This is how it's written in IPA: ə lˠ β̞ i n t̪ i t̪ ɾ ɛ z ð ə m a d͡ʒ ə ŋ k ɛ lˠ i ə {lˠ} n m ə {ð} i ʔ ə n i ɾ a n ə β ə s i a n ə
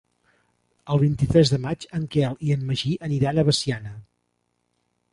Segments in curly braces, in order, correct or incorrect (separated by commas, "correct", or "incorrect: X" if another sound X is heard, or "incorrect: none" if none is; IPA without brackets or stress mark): incorrect: none, incorrect: ʒ